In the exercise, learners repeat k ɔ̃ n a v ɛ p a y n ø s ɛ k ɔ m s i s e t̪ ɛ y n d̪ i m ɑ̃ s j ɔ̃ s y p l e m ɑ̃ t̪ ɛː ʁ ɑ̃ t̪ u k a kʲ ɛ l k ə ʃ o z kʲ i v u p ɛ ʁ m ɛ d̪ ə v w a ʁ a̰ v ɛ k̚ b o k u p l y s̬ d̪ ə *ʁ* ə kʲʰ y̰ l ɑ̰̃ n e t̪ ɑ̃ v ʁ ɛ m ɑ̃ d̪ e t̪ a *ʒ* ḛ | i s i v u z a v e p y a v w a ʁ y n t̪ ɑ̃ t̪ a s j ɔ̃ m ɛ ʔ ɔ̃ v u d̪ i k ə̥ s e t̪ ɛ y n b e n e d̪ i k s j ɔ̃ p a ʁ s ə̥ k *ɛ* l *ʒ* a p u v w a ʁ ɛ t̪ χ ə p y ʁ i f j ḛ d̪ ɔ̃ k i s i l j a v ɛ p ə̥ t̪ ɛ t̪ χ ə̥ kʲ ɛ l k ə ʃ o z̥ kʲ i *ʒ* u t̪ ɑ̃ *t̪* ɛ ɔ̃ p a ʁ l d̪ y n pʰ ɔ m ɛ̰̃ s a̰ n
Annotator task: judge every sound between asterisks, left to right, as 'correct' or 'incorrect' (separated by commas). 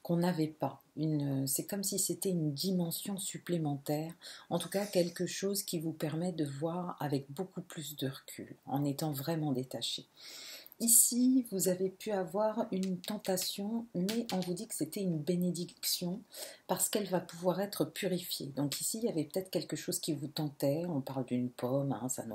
correct, incorrect, correct, incorrect, incorrect, correct